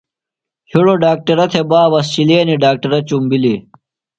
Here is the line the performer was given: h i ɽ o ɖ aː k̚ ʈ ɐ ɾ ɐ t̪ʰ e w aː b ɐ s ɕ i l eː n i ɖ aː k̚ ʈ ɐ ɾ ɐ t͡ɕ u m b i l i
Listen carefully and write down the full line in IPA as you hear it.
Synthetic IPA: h i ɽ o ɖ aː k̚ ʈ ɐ ɾ ɐ t̪ʰ e b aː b ɐ s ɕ i l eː n i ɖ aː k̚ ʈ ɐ ɾ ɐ t͡ɕ u m b i l i